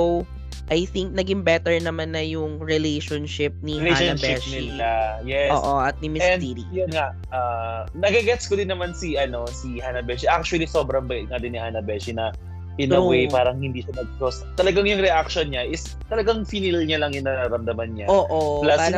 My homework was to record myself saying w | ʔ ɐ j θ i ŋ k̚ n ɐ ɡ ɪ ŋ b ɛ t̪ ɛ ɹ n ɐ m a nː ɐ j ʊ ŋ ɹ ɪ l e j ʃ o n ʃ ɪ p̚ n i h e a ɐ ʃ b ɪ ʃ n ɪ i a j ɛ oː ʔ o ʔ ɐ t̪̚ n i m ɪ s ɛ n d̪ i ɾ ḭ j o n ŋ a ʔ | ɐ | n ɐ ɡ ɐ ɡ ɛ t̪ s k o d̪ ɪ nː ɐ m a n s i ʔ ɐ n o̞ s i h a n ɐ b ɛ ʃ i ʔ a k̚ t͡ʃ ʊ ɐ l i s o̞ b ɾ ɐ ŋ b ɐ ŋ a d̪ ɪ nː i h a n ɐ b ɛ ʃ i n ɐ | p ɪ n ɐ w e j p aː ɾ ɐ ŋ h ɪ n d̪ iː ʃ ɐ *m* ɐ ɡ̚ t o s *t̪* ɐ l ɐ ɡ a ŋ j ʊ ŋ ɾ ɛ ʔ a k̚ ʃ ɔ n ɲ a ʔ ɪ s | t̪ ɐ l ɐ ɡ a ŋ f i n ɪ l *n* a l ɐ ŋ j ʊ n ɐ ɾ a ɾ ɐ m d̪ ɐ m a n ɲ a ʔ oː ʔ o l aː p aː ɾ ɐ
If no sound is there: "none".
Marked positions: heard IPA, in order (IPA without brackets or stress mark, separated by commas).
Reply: n, t̪, ɲ